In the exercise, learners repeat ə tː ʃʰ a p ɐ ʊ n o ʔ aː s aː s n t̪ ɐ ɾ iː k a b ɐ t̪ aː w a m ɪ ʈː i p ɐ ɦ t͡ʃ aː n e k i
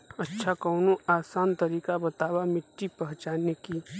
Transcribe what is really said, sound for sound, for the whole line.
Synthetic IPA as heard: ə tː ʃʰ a k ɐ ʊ n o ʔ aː s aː n t̪ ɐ ɾ iː k a b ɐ t̪ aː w a m ɪ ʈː i p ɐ ɦ t͡ʃ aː n e k i